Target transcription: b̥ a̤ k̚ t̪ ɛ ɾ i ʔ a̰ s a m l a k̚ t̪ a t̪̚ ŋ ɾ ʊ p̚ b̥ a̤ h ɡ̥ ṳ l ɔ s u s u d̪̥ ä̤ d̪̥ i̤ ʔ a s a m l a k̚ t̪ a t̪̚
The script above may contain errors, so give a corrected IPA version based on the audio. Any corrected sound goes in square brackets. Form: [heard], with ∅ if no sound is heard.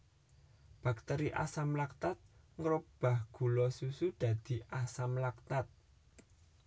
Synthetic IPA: b̥ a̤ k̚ t̪ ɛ ɾ i ʔ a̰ s a m l a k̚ t̪ a t̪̚ ŋ ɾ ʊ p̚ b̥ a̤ h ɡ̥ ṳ l ɔ s u s u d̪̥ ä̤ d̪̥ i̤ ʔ a s a m l a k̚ t̪ a t̪̚